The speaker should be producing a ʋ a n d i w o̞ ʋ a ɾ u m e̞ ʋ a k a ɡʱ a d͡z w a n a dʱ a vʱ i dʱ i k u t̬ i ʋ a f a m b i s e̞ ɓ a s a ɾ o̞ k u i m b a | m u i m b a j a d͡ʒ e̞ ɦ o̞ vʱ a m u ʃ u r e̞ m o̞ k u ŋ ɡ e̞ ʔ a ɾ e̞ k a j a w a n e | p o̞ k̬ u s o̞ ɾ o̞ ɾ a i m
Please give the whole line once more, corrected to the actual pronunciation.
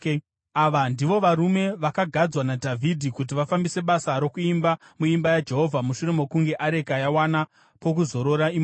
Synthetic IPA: a ʋ a n d i ʋ o̞ ʋ a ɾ u m e̞ ʋ a k a ɡʱ a d͡z w a n a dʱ a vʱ i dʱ i k u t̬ i ʋ a f a m b i s e̞ ɓ a s a ɾ o̞ k u i m b a | m u i m b a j a d͡ʒ e̞ ɦ o̞ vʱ a m u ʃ u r e̞ m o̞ k u ŋ ɡ e̞ ʔ a ɾ e̞ k a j a w a n a | p o̞ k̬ u z o̞ ɾ o̞ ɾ a i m

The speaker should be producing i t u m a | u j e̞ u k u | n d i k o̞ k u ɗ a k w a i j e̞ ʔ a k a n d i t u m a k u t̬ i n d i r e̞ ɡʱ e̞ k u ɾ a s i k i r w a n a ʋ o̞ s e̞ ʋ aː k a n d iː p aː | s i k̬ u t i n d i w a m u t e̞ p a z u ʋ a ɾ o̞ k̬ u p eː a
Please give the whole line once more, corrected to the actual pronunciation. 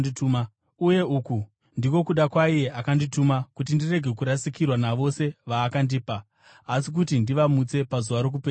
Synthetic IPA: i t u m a | u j e̞ u k u | n d i k o̞ k u ɗ a k w a i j e̞ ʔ a k a n d i t u m a k u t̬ i n d i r e̞ ɡʱ e̞ k u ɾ a s i k i r w a n a ʋ o̞ s e̞ ʋ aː k a n d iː p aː | s i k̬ u t i n d i ʋ a m u t͡s e̞ p a z u ʋ a ɾ o̞ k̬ u p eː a

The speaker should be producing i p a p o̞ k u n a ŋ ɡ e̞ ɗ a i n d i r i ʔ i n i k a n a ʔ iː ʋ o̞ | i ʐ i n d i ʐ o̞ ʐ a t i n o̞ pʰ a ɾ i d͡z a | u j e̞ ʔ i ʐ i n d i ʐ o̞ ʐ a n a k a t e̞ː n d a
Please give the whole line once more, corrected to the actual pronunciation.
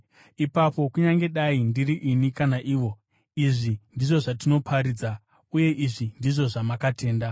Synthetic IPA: i p a p o̞ k u ɲ a ŋ ɡ e̞ ɗ a i n d i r i ʔ i n i k a n a ʔ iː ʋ o̞ | i ʐ i n d i ʐ o̞ ʐ a t i n o̞ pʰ a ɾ i d͡z a | u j e̞ ʔ i ʐ i n d i ʐ o̞ ʐ a m a k a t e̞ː n d a

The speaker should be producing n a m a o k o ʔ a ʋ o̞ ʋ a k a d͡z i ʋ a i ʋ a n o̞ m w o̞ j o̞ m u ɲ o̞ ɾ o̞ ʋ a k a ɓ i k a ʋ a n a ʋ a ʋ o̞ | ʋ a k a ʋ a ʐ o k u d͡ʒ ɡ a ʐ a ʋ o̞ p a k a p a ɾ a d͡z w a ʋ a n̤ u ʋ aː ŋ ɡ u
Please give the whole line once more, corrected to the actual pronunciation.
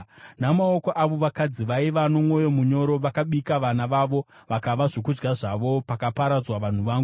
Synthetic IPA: n a m a o k o ʔ a ʋ o̞ ʋ a k a d͡z i ʋ a i ʋ a n o̞ m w o̞ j o̞ m u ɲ o̞ ɾ o̞ ʋ a k a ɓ i k a ʋ a n a ʋ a ʋ o̞ | ʋ a k a ʋ a ʐ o k u d͡ʒ ɡ a ʐ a ʋ o̞ p a k a p a ɾ a d͡z w a ʋ a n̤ u ʋ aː ŋ ɡ u

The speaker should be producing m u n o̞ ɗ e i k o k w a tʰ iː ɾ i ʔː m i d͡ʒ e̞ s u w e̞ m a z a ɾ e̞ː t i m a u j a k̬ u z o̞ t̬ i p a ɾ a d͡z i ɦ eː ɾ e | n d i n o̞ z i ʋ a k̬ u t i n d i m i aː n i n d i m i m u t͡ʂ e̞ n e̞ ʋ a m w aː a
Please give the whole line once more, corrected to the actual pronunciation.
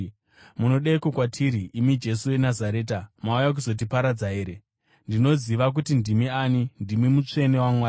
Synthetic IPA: m u n o̞ ɗ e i k o k w a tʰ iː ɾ i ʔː m i d͡ʒ e̞ s u w e̞ n a z a ɾ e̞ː t a m a u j a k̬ u z o̞ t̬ i p a ɾ a d͡z a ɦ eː ɾ e | n d i n o̞ z i ʋ a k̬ u t i n d i m i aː n i n d i m i m u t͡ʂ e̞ n e̞ w a m w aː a

